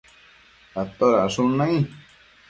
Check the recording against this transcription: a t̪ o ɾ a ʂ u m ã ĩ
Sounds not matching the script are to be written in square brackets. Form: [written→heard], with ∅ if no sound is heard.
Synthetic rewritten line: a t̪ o ɾ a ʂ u [m→n] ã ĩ